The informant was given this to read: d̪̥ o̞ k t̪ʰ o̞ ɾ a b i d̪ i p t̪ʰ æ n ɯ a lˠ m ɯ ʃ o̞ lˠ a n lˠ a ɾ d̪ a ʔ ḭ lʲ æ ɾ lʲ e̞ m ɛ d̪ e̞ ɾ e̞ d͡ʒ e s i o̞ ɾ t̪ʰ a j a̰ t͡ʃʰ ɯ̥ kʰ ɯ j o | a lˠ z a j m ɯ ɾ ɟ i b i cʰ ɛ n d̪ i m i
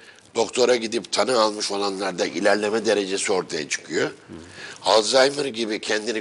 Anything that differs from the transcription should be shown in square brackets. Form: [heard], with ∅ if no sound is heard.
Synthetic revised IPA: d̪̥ o̞ k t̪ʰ o̞ ɾ a [ɟ] i d̪ i p t̪ʰ [a] n ɯ a lˠ m ɯ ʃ o̞ lˠ a n lˠ a ɾ d̪ a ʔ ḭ lʲ æ ɾ lʲ e̞ m ɛ d̪ e̞ ɾ e̞ d͡ʒ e s i o̞ ɾ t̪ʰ a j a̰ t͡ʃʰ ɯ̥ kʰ ɯ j o | a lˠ z a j m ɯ ɾ ɟ i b i cʰ ɛ n d̪ i [n] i